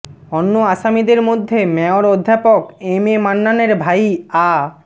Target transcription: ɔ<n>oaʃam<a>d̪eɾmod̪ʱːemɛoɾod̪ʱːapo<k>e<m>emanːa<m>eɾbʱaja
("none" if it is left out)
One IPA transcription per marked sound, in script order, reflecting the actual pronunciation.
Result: nː, i, k, m, n

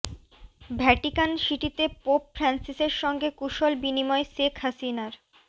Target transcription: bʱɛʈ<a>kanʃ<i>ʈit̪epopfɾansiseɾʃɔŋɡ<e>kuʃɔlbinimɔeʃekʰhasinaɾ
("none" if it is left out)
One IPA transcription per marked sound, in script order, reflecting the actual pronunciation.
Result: i, i, e

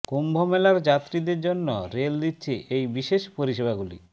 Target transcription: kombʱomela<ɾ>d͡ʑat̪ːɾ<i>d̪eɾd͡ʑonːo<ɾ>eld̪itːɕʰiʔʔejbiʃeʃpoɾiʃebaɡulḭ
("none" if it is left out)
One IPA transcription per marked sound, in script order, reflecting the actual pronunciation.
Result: ɾ, i, ɾ

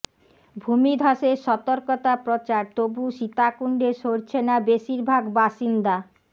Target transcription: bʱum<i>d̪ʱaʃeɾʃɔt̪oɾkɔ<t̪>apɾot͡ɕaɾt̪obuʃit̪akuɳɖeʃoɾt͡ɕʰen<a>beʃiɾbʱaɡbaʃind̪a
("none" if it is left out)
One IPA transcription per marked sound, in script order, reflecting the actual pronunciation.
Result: i, t̪, a

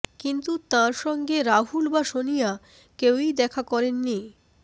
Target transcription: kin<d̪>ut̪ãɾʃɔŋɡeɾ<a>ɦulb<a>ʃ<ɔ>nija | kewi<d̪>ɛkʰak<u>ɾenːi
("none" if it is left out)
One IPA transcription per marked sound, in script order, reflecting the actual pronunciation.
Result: t̪, a, a, o, d̪, ɔ

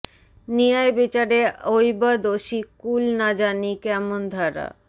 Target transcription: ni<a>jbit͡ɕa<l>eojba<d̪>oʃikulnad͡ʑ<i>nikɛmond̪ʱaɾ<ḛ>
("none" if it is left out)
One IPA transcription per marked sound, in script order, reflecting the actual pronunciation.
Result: a, ɾ, d̪, a, a̰

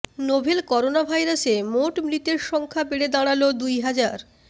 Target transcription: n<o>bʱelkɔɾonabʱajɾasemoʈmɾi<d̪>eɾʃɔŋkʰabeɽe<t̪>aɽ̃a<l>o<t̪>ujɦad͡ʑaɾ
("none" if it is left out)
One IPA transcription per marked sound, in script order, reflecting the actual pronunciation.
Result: o, t̪, d̪, l, d̪

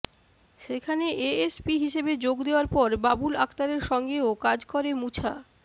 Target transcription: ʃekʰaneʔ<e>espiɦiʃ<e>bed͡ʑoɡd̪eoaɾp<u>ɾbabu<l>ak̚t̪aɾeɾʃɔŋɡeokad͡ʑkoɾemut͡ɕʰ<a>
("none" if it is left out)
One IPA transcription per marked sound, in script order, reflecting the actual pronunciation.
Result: e, e, ɔ, l, a

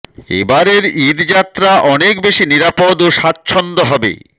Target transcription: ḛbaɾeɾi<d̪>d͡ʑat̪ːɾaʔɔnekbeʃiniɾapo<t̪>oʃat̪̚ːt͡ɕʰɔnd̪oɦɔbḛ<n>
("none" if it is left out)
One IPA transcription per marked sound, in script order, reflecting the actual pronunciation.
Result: d̪, d̪, none

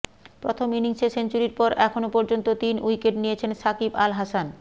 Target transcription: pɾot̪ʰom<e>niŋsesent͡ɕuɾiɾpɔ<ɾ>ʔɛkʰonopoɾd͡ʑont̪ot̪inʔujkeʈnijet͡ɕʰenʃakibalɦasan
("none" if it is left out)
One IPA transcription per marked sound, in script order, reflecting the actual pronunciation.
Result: i, ɾ

